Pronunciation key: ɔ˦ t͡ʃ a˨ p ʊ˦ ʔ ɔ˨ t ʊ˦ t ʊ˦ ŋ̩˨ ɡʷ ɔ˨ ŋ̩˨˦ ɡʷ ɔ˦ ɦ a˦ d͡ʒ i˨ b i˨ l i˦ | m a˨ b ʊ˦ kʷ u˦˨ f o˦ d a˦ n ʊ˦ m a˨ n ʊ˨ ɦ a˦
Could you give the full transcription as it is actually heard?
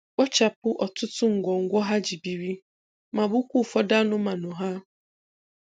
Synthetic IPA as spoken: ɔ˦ t͡ʃ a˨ p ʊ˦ ʔ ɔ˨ t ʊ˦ t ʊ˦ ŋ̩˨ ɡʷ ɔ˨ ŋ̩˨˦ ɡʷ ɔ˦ ɦ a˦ d͡ʒ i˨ b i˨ ɾ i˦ | m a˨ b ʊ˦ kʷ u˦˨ f ɔ˦ d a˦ n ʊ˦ m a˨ n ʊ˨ ɦ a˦